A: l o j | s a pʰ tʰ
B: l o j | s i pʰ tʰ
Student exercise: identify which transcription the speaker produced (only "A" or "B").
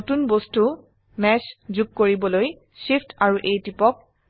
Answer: B